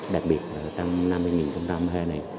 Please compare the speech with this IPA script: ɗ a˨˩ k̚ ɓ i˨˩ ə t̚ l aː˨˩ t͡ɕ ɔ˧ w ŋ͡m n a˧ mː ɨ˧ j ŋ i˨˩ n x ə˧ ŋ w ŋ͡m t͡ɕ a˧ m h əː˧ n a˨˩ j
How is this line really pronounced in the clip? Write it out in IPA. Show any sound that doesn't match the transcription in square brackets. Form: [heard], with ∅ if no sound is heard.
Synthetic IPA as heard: ɗ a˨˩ k̚ ɓ i˨˩ ə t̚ l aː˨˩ t͡ɕ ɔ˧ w ŋ͡m n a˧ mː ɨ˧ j ŋ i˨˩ n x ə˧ [∅] w ŋ͡m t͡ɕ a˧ m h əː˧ n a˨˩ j